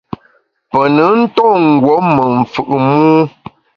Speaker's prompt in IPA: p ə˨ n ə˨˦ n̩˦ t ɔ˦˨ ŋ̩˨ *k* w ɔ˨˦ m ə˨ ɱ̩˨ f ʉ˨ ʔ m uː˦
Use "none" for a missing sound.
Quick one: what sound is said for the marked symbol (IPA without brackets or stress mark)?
ɡ